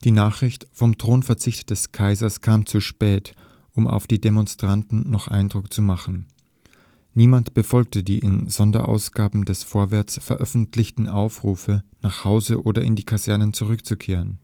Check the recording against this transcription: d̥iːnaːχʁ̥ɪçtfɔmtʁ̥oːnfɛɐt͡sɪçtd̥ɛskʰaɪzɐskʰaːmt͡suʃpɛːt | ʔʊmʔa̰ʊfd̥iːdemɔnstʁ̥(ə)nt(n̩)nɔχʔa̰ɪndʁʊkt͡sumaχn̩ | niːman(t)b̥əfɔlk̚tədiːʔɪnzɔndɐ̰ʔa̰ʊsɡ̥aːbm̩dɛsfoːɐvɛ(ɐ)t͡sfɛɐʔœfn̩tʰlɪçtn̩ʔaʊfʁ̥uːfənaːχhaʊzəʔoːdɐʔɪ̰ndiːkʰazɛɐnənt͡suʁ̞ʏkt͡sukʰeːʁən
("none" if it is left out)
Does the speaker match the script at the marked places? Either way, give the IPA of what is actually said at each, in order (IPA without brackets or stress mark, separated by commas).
a, n̩, t, ɐ